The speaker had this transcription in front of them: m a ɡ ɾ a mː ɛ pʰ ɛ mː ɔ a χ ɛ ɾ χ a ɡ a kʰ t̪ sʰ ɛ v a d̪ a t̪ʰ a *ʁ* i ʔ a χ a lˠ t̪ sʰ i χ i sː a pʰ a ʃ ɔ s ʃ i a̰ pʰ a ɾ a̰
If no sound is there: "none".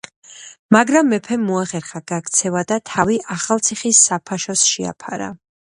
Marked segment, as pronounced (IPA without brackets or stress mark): v